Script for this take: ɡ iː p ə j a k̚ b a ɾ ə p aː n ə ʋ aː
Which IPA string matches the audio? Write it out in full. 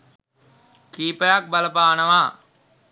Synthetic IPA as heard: k iː p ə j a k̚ b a l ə p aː n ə ʋ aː